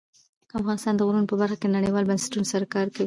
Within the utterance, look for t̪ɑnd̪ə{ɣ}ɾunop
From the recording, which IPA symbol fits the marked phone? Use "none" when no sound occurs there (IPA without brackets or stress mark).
ɣ